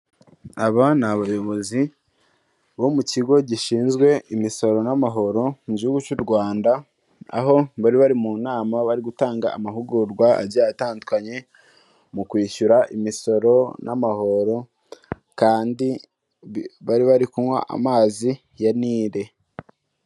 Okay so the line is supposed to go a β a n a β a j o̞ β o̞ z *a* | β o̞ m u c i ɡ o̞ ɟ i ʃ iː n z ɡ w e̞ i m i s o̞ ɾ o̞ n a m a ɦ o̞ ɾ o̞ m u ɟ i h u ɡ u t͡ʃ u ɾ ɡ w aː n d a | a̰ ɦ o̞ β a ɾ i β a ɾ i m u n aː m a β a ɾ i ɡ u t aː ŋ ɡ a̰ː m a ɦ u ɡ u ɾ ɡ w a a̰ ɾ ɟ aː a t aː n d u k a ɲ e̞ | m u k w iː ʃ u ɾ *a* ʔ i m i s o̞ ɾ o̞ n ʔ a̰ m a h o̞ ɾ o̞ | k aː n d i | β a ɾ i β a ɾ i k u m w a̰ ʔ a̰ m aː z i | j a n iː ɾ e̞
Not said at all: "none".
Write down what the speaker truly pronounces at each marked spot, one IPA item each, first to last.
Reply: i, a

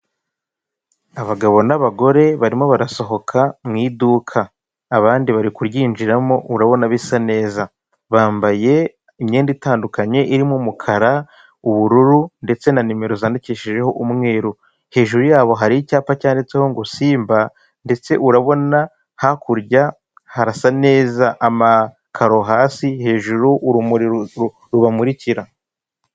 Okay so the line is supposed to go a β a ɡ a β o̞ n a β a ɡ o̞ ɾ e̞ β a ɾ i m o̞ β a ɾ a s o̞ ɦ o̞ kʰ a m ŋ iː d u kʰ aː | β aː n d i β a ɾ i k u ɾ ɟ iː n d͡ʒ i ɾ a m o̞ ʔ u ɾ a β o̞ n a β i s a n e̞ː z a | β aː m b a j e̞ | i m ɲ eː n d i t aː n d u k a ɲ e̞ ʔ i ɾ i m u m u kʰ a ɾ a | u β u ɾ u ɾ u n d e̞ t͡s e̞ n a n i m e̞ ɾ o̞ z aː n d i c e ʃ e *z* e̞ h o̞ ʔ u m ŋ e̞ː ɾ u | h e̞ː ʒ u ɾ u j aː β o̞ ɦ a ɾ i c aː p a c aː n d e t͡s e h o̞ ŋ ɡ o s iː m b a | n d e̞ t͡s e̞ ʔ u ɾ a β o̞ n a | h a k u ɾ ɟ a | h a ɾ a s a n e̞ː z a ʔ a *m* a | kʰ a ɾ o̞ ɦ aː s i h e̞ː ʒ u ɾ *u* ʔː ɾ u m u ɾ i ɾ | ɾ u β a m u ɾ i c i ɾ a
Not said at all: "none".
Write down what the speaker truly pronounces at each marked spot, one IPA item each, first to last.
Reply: ʒ, m, u

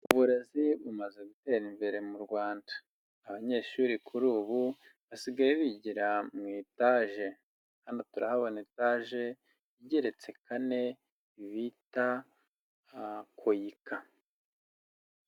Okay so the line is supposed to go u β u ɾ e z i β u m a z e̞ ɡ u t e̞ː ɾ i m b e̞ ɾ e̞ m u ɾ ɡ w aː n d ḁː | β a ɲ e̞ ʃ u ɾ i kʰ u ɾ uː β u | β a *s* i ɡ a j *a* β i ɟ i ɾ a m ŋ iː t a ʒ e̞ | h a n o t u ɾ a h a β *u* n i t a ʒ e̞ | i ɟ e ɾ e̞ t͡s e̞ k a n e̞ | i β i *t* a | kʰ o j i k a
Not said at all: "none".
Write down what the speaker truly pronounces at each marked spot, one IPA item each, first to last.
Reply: s, e, o, t

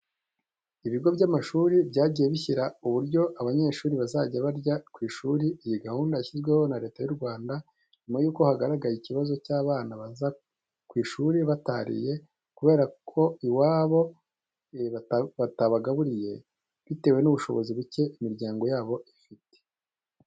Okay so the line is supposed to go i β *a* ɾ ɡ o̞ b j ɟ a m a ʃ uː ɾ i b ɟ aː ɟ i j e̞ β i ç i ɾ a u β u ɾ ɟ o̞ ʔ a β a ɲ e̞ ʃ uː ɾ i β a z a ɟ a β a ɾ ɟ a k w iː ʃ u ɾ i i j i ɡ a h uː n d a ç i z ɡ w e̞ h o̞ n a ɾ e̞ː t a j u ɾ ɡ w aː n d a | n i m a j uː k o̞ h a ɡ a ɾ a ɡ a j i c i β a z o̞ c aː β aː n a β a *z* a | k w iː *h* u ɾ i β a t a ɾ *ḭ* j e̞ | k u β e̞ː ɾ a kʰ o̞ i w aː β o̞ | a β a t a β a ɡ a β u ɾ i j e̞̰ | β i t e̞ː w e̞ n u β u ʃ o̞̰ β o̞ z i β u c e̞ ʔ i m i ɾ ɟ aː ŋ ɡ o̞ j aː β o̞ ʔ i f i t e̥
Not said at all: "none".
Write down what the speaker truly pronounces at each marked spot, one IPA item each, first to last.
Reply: i, z, ʃ, ḭ

